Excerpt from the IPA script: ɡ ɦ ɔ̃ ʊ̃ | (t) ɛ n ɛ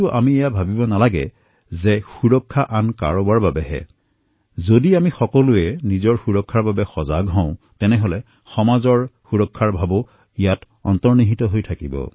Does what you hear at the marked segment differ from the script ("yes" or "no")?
no